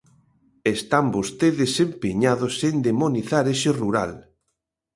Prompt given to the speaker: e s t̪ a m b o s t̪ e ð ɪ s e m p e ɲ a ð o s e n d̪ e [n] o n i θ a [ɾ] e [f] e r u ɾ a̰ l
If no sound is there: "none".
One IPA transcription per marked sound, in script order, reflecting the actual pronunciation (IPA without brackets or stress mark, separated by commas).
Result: m, ɾ, ʃ